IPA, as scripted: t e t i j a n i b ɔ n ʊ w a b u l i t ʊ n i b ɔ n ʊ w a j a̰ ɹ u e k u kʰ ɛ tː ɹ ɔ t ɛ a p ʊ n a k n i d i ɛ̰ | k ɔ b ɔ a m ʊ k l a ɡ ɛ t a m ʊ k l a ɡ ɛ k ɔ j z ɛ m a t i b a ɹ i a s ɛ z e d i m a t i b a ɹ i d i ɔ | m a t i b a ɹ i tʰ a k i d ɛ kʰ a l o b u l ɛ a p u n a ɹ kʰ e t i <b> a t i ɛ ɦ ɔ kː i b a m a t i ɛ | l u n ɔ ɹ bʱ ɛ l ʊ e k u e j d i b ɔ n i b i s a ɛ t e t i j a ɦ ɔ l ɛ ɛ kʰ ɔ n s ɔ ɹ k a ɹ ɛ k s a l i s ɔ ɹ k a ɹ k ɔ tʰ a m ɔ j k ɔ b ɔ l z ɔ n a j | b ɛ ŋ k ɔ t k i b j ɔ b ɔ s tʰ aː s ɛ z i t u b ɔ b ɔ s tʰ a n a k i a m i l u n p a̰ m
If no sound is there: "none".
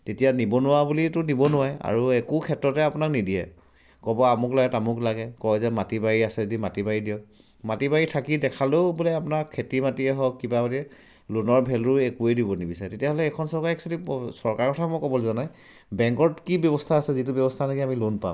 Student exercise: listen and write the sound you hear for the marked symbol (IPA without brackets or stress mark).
m